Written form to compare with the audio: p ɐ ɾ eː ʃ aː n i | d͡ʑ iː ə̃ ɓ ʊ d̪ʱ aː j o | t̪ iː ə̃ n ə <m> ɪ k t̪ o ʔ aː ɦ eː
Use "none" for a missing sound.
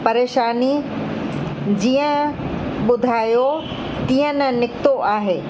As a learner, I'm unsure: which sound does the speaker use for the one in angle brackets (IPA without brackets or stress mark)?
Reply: n